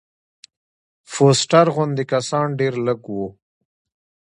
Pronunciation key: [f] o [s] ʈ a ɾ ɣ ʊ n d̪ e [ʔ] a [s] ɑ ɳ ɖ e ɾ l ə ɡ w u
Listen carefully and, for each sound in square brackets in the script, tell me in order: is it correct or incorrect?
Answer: correct, correct, incorrect: k, correct

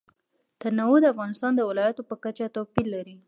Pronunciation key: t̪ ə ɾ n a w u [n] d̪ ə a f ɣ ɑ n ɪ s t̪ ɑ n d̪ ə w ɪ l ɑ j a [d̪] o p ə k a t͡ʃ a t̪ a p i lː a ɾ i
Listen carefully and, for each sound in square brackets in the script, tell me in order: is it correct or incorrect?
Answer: incorrect: none, incorrect: t̪

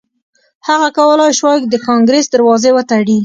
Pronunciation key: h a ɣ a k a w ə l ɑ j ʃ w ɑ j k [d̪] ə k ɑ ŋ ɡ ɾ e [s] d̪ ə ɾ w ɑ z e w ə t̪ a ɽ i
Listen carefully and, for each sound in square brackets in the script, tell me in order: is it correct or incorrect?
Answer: correct, correct

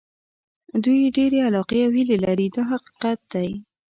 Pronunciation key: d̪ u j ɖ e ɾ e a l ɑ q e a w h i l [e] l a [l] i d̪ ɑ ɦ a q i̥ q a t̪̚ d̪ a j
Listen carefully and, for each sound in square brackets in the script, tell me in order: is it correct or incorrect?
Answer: correct, incorrect: ɾ

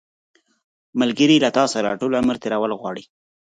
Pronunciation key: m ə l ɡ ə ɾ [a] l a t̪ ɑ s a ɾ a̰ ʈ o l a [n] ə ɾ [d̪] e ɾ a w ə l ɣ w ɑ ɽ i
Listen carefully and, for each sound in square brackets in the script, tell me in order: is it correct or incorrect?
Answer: incorrect: i, incorrect: m, incorrect: t̪

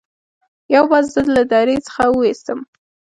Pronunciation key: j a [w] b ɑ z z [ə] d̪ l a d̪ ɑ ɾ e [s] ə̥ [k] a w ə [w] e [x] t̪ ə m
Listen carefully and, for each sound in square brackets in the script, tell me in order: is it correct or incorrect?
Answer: correct, correct, incorrect: t͡s, incorrect: x, correct, incorrect: s

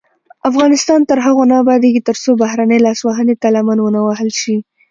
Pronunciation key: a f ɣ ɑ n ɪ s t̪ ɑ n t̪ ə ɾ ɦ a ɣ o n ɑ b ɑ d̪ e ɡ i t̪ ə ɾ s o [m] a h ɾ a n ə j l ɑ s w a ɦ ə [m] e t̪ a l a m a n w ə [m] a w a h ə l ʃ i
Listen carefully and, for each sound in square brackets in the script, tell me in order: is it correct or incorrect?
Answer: incorrect: b, incorrect: n, incorrect: n

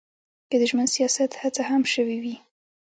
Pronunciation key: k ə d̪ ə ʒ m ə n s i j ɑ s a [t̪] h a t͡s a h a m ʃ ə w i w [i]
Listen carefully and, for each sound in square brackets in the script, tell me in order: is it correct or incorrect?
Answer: correct, correct

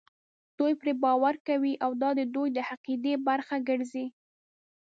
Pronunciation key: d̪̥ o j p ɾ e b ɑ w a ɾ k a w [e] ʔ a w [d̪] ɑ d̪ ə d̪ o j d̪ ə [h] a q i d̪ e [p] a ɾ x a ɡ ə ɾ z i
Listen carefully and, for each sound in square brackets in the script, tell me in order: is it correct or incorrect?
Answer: incorrect: i, correct, correct, incorrect: b

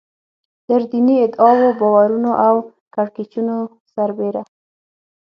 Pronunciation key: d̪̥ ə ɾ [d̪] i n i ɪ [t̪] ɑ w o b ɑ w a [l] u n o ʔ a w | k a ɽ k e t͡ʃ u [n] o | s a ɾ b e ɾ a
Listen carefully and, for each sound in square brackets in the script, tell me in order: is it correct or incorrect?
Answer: correct, incorrect: d̪, incorrect: ɾ, correct

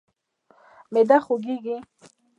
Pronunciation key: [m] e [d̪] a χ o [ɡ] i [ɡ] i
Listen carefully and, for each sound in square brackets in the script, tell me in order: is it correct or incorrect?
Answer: correct, correct, correct, correct

